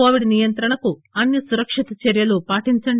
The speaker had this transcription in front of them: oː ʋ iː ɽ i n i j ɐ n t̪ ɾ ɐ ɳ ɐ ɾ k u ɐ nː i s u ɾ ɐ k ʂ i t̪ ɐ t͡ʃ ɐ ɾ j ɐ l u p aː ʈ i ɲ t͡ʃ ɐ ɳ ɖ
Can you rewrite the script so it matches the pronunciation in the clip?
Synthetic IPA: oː ʋ i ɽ i n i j ɐ n t̪ ɾ ɐ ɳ ɐ k u ɐ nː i s u ɾ ɐ k ʂ i t̪ ɐ t͡ʃ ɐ ɾ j ɐ l u p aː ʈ i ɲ t͡ʃ ɐ ɳ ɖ